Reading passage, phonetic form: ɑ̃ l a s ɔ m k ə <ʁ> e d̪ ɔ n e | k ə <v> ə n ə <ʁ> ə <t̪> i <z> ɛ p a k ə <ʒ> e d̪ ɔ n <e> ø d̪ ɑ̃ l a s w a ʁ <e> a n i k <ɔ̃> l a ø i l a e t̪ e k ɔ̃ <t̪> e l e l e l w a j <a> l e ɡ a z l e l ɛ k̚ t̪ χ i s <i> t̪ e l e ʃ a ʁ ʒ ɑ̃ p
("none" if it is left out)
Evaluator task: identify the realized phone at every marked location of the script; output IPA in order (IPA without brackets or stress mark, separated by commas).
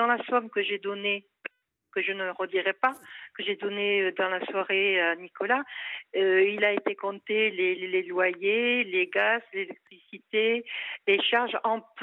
ʒ, ʒ, ʁ, d̪, ʁ, ʒ, e, e, ɔ, t̪, e, i